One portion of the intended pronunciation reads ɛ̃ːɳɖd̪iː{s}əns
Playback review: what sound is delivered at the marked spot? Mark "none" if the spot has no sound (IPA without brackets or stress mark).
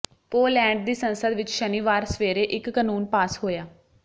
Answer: s